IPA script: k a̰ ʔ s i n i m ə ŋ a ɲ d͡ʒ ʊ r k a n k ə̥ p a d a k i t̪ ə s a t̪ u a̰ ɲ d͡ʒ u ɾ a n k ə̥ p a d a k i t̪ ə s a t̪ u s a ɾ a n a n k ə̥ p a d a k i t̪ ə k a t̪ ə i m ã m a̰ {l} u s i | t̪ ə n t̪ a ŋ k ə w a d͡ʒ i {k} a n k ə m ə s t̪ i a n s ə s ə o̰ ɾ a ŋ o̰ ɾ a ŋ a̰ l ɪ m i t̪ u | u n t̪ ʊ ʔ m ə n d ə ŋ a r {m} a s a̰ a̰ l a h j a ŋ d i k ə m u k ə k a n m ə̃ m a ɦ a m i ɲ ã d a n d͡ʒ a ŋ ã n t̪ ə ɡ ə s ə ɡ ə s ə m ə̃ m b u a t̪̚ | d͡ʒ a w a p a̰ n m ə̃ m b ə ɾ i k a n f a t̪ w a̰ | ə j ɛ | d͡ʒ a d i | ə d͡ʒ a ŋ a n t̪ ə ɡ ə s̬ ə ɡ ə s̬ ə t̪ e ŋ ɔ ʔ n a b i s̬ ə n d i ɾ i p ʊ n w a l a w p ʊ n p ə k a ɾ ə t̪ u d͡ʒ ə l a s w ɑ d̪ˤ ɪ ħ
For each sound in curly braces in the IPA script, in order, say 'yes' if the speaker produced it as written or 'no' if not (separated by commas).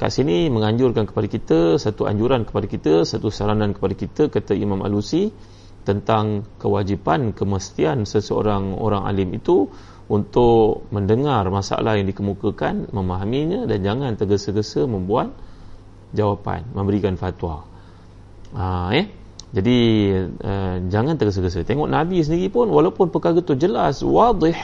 yes, no, yes